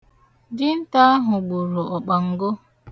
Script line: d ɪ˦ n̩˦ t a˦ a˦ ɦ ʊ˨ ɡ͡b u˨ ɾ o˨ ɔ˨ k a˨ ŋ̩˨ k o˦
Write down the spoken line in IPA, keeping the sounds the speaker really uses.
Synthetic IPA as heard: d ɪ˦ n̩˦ t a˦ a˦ ɦ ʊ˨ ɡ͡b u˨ ɾ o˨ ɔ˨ k͡p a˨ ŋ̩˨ ɡ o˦